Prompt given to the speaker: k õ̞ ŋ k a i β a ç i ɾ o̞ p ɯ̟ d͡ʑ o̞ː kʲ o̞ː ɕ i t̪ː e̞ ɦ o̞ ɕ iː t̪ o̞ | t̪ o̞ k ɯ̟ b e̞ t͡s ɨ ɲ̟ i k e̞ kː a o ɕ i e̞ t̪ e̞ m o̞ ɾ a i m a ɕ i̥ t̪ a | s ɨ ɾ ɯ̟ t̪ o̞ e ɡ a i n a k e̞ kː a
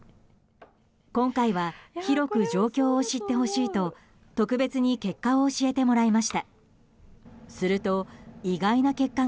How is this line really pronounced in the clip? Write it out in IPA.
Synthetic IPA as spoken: k õ̞ ŋ k a i β a ç i ɾ o̞ k ɯ̟ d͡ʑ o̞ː kʲ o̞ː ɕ i t̪ː e̞ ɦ o̞ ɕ iː t̪ o̞ | t̪ o̞ k ɯ̟ b e̞ t͡s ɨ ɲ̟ i k e̞ kː a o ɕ i e̞ t̪ e̞ m o̞ ɾ a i m a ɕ i̥ t̪ a | s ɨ ɾ ɯ̟ t̪ o̞ i ɡ a i n a k e̞ kː a

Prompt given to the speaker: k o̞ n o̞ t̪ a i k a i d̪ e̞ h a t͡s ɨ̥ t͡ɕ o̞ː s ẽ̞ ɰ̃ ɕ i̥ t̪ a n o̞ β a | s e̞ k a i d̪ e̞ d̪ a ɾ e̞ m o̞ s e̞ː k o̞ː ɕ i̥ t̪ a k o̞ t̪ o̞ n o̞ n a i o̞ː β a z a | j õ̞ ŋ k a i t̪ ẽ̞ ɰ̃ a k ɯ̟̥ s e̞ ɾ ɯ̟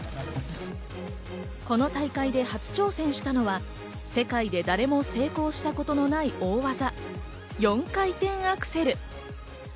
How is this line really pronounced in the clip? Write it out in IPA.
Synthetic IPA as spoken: k o̞ n o̞ t̪ a i k a i d̪ e̞ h a t͡s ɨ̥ t͡ɕ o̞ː s ẽ̞ ɰ̃ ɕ i̥ t̪ a n o̞ β a | s e̞ k a i d̪ e̞ d̪ a ɾ e̞ m o̞ s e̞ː k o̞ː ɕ i̥ t̪ a k o̞ t̪ o̞ n o̞ n a i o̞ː β a z a | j õ̞ ŋ k a i t̪ ẽ̞ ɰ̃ a k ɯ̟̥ s e̞ ɾ ɯ̟

